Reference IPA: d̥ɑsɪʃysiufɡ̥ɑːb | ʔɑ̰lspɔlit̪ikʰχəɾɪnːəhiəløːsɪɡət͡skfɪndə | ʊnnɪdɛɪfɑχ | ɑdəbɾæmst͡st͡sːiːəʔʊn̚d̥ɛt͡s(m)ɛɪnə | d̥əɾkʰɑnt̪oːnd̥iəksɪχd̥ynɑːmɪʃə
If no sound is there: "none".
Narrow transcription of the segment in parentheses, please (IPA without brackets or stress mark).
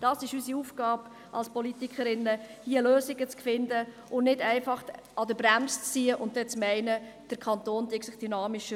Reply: m